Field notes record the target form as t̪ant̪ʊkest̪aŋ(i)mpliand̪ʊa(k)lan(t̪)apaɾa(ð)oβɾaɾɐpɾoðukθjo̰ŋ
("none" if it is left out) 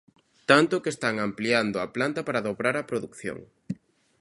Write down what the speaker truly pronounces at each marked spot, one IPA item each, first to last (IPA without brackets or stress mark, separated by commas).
a, p, t̪, ð